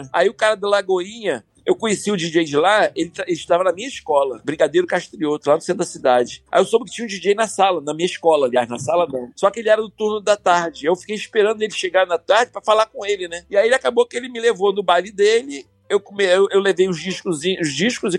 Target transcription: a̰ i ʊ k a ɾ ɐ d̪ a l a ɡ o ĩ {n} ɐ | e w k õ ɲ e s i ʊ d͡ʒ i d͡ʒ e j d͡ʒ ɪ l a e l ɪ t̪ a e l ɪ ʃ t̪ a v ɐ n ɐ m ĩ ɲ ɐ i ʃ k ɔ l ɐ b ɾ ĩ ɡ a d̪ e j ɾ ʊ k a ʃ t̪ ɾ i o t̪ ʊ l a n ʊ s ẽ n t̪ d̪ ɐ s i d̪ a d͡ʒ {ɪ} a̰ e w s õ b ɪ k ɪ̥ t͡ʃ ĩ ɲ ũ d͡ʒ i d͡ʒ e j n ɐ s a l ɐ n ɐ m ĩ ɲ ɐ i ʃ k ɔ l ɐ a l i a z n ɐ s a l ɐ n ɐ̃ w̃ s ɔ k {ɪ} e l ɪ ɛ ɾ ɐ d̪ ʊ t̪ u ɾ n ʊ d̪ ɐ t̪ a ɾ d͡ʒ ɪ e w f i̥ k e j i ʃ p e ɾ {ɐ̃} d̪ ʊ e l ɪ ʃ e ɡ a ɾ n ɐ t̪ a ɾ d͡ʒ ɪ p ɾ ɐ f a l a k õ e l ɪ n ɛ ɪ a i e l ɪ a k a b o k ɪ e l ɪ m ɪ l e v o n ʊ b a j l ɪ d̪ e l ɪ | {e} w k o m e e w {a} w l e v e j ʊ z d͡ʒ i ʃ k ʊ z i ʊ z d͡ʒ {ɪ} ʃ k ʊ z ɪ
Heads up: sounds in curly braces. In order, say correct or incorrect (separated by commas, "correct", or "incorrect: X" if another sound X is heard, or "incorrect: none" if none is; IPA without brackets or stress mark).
incorrect: ɲ, correct, correct, correct, correct, incorrect: e, incorrect: i